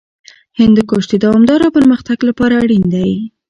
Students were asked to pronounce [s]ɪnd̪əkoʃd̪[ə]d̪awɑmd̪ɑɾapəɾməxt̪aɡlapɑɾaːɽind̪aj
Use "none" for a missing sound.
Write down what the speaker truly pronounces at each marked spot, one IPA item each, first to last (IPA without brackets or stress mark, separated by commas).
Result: h, ə